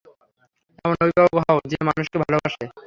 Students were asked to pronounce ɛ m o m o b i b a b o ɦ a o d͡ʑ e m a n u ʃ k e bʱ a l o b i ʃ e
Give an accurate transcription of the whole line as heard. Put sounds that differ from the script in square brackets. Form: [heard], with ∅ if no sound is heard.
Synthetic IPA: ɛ m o [n] o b i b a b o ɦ a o d͡ʑ e m a n u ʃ k e bʱ a l o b [a] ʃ e